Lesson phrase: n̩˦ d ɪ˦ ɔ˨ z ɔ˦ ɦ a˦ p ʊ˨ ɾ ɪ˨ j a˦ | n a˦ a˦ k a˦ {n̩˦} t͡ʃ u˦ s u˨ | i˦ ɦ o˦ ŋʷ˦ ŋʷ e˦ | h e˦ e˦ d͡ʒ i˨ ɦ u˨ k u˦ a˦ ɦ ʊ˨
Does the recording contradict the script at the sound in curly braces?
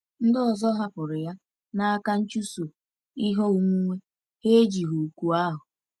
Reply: no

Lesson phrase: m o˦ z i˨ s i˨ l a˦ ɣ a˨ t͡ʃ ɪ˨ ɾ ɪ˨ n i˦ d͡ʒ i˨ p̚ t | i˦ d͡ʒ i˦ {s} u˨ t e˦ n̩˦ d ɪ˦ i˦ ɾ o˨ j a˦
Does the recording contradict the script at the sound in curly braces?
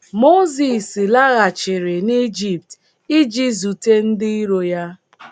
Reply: yes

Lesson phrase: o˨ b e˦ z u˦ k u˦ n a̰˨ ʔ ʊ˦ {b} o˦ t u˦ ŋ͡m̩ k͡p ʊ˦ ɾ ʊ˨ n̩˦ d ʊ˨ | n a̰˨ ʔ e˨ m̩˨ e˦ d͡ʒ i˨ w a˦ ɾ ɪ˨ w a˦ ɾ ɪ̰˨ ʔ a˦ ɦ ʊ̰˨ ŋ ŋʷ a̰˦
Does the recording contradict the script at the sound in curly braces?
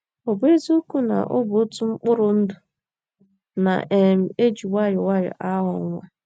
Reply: no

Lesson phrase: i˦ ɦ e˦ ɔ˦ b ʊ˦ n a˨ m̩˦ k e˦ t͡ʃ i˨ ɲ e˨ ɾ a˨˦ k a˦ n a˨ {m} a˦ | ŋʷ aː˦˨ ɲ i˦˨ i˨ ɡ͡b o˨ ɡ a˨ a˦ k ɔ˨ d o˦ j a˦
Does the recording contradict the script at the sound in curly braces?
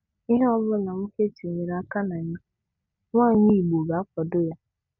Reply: yes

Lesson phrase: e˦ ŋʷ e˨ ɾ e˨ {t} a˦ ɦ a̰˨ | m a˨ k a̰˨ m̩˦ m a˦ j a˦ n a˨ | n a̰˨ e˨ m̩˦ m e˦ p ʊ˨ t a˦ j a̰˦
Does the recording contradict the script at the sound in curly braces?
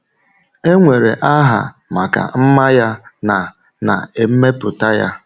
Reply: yes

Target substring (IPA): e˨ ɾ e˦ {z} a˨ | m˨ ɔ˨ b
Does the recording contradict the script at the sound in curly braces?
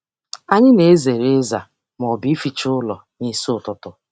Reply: no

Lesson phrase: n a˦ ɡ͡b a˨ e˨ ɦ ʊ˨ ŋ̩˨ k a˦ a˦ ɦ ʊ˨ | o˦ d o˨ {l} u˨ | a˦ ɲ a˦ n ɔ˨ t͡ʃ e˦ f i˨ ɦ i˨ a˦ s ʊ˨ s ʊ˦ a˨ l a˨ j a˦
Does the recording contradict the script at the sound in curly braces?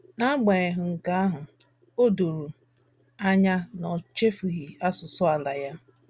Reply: yes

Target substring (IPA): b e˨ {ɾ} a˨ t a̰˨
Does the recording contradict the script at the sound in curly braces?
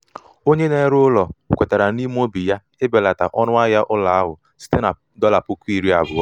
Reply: yes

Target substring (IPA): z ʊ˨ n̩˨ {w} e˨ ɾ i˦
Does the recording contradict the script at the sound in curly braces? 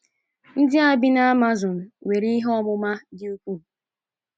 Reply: no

